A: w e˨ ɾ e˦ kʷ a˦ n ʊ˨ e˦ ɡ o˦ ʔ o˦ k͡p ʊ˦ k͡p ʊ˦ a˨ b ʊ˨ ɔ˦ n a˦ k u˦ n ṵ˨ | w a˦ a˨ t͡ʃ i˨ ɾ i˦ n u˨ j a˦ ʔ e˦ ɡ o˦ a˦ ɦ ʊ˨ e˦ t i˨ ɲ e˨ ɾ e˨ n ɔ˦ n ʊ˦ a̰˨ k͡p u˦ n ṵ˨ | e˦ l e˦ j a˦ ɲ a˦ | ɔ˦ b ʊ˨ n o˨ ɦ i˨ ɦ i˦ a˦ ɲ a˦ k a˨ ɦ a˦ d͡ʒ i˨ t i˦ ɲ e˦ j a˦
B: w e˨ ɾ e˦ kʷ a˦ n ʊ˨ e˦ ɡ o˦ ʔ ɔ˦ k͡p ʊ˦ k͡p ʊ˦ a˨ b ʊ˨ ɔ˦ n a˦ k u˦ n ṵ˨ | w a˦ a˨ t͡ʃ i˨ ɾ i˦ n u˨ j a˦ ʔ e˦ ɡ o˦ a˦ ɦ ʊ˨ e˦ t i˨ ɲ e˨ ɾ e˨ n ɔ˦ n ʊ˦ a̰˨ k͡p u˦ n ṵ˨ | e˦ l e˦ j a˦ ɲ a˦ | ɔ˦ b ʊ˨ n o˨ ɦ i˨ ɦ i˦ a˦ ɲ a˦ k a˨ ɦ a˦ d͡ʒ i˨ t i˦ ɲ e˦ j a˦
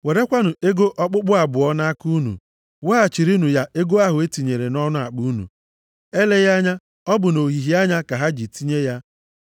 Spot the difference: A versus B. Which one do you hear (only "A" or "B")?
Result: B